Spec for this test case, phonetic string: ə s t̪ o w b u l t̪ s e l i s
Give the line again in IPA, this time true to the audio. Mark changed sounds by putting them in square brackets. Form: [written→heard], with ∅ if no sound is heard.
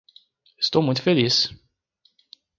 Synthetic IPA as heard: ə s t̪ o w [b→m] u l t̪ [s→f] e l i s